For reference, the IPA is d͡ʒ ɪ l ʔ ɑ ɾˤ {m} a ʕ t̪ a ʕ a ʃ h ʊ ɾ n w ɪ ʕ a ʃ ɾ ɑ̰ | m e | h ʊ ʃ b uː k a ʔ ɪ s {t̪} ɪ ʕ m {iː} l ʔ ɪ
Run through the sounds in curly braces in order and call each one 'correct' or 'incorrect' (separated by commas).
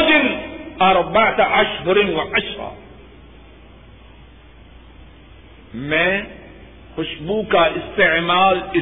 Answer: incorrect, correct, incorrect